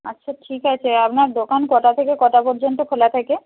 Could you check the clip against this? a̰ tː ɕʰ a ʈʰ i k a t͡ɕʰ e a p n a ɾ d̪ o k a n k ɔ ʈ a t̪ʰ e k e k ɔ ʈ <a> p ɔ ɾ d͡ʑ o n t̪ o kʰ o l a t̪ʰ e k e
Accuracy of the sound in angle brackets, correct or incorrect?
correct